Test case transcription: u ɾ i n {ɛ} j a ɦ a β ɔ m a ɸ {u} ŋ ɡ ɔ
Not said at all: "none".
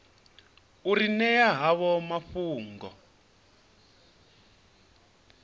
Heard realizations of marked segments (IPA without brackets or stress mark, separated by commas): ɛ, uː